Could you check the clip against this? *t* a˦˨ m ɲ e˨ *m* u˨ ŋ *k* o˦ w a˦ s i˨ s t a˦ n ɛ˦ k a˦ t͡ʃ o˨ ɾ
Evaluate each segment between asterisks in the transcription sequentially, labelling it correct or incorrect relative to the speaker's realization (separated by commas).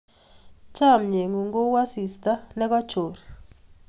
incorrect, incorrect, incorrect